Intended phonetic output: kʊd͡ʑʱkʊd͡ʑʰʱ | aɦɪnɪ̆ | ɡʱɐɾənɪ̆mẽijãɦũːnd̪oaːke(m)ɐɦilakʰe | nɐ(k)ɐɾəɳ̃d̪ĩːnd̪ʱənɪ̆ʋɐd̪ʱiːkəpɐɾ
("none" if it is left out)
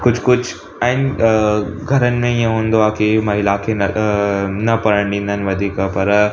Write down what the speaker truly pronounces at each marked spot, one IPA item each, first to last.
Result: m, p

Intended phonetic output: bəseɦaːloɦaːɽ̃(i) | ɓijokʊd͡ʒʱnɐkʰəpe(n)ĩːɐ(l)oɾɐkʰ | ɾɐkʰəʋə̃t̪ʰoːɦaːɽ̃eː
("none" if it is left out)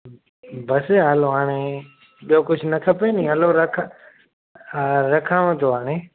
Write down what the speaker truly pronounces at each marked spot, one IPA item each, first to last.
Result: e, n, l

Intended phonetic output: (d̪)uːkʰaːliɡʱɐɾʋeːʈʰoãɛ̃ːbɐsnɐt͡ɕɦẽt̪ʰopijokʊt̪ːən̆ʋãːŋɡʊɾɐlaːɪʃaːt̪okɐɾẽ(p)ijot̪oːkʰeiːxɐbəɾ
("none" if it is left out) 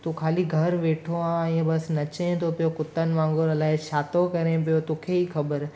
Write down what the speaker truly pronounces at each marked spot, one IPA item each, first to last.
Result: t̪, p

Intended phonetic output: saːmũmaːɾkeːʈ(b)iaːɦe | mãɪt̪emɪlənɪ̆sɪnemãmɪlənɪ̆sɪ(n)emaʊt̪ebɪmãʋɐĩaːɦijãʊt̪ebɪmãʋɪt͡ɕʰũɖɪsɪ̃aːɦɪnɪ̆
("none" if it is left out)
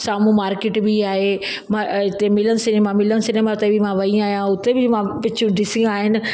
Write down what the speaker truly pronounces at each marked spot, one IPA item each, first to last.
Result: b, n

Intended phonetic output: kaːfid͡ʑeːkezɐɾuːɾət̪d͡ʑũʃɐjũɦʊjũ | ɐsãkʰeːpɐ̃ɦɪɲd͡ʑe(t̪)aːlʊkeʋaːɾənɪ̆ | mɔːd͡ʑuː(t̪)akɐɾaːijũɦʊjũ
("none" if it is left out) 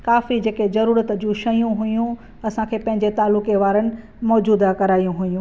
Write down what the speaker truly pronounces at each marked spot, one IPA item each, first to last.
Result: t̪, d̪

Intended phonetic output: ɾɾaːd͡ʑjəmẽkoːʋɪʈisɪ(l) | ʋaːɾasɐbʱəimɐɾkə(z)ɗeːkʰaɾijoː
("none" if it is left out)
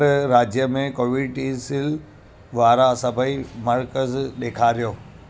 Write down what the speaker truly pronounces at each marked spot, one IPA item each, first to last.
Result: l, z

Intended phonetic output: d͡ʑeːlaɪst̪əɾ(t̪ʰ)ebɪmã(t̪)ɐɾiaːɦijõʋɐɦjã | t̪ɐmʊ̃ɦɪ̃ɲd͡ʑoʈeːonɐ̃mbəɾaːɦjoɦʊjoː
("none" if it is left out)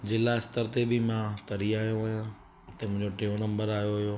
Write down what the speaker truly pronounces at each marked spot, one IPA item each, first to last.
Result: t̪, t̪

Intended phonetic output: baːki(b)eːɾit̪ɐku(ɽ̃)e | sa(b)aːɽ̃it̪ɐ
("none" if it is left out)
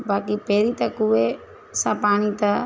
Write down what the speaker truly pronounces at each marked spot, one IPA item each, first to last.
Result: p, none, p

